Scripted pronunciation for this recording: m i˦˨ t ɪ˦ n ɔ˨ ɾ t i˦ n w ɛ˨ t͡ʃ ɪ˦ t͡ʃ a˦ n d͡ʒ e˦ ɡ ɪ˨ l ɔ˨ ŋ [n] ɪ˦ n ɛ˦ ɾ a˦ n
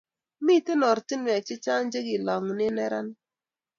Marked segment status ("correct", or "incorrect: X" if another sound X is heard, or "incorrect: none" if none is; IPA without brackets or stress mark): correct